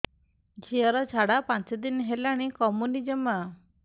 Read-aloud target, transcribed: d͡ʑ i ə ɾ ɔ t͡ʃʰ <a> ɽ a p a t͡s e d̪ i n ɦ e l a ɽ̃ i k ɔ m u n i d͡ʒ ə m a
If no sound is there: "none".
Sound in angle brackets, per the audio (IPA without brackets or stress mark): a